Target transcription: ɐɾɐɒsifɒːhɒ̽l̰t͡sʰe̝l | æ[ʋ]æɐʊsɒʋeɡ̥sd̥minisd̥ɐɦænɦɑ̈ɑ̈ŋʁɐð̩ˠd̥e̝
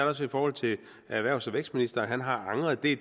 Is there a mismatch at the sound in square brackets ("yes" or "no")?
no